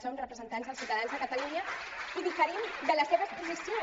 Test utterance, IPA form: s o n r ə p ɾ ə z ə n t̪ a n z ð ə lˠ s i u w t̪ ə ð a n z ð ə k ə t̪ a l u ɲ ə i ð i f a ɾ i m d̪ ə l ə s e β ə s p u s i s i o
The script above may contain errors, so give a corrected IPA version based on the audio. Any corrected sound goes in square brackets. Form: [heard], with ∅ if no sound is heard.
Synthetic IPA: s o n r ə p ɾ ə z ə n t̪ a n z ð ə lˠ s i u w t̪ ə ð a n z ð ə k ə t̪ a l u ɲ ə i ð i f [ə] ɾ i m d̪ ə l ə s e β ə s p u [z] i s i o